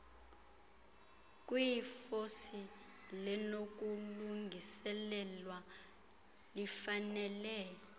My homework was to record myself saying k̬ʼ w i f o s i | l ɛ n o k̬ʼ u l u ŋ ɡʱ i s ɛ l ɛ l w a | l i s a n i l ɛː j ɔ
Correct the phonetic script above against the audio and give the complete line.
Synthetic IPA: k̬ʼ w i f o s i | l ɛ n o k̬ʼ u l u ŋ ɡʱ i s ɛ l ɛ l w a | l i f a n ɛ l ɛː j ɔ